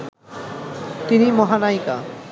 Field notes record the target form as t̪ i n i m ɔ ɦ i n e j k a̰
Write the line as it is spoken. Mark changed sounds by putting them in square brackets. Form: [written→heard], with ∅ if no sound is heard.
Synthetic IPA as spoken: t̪ i n i m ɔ ɦ [i→a] n [e→a] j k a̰